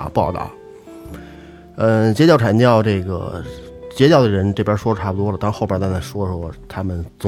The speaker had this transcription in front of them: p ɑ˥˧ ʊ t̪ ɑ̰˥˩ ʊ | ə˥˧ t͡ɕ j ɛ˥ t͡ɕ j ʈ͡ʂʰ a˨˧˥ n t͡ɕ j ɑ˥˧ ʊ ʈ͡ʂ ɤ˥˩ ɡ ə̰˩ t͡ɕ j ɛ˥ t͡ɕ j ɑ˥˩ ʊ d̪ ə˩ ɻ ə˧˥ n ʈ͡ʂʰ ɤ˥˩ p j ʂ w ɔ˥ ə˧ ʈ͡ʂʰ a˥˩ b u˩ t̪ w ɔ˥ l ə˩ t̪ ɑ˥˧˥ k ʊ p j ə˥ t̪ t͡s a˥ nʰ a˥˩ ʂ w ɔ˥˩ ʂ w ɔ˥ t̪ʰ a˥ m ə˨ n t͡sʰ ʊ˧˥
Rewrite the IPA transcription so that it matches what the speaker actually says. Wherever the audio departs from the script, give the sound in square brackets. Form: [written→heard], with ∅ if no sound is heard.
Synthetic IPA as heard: p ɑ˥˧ ʊ t̪ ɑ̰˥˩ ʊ | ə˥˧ t͡ɕ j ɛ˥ t͡ɕ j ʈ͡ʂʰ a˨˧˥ n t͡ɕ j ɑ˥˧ ʊ ʈ͡ʂ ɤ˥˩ ɡ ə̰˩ t͡ɕ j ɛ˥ t͡ɕ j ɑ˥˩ ʊ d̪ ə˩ ɻ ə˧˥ n [ʈ͡ʂʰ→ʈ͡ʂ] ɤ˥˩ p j ʂ w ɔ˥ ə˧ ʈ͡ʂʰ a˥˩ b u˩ t̪ w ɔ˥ l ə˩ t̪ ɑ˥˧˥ [k→x] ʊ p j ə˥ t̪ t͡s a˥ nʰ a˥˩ ʂ w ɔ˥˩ ʂ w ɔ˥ t̪ʰ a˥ m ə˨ n [t͡sʰ→t͡s] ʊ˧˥